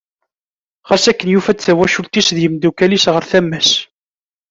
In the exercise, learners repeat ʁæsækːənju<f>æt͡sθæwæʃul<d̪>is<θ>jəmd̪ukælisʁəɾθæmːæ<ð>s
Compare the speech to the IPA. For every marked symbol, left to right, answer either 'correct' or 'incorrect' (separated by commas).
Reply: correct, incorrect, incorrect, incorrect